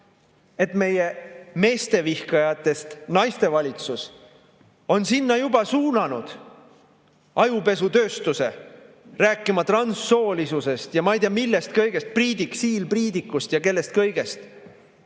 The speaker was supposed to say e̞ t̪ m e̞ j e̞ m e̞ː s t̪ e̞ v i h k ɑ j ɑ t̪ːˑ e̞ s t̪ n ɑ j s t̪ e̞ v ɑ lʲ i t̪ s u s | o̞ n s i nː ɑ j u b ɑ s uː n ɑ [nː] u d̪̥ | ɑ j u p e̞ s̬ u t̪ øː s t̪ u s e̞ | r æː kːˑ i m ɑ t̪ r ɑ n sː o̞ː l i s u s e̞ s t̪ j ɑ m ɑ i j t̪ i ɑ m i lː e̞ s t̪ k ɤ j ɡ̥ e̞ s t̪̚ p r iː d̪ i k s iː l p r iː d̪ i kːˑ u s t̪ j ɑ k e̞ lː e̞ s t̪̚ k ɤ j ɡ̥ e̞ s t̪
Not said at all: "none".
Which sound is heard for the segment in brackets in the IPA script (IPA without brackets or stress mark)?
n